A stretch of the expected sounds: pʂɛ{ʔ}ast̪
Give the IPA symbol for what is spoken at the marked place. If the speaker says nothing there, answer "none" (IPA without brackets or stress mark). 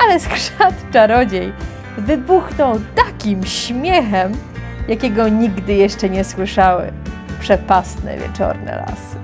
p